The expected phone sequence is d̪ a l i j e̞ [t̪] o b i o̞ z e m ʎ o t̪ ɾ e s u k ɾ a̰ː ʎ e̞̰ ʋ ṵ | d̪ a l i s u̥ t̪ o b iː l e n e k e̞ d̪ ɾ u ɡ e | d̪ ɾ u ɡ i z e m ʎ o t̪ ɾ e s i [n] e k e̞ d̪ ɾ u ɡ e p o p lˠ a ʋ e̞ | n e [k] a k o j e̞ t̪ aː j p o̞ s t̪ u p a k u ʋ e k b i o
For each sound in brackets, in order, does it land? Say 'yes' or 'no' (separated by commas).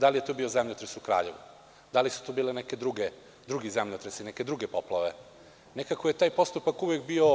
yes, yes, yes